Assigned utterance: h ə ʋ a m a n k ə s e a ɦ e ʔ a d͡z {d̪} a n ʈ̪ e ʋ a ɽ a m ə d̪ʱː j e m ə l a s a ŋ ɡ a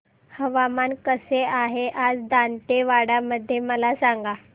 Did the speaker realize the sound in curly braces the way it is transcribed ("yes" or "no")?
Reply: yes